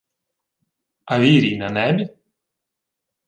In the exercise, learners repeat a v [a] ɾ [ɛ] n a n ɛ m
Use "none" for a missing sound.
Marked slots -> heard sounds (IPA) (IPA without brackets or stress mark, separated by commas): i, i